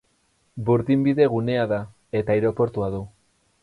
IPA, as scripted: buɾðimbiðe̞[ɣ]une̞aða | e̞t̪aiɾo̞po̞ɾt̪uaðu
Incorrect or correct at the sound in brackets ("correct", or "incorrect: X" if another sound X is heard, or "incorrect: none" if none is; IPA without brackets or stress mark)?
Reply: correct